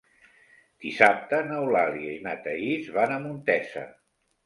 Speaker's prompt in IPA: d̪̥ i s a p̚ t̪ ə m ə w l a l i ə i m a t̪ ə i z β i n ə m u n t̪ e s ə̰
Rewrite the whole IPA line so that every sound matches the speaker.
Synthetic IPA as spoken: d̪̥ i s a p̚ t̪ ə n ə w l a l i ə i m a t̪ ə i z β a n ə m u n t̪ ɛ s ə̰